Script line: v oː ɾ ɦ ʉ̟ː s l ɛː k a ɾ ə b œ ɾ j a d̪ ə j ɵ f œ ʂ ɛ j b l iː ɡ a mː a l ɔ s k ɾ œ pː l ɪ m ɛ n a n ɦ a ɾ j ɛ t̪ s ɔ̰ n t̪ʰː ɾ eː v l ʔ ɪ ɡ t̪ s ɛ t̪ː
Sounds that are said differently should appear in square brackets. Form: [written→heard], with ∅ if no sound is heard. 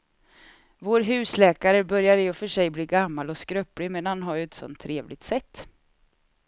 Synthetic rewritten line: v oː ɾ ɦ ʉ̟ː s l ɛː k a ɾ ə b œ ɾ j a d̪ ə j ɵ f œ ʂ ɛ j b l iː ɡ a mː a l ɔ s k ɾ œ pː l ɪ m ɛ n a n ɦ a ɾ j ɛ t̪ s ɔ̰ n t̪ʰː ɾ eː v l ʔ ɪ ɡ t̪ s ɛ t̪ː